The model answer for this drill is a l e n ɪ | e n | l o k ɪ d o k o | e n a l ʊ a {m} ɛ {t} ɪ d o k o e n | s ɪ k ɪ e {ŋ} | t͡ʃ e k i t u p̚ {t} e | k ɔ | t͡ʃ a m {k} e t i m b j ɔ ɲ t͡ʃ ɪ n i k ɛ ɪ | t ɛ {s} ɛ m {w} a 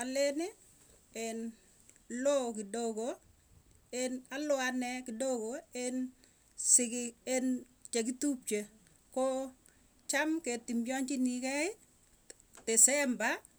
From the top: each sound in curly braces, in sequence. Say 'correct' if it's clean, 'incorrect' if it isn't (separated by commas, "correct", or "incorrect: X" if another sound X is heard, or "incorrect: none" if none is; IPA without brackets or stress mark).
incorrect: n, incorrect: k, incorrect: n, incorrect: t͡ʃ, correct, correct, incorrect: b